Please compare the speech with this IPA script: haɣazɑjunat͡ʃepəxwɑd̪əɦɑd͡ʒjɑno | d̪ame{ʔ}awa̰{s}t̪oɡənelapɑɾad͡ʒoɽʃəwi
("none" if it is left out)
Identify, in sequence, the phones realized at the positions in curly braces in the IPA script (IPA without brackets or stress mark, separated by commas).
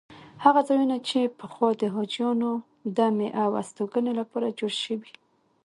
ʔ, s